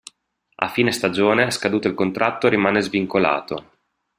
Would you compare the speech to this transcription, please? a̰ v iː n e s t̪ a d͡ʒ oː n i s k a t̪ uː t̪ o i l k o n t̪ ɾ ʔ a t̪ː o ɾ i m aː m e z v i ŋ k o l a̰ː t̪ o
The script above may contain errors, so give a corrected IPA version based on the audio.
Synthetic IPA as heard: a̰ f iː n e s t̪ a d͡ʒ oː n e s k a d̪ uː t̪ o i l k o n t̪ ɾ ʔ a t̪ː o ɾ i m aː n e z v i ŋ k o l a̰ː t̪ o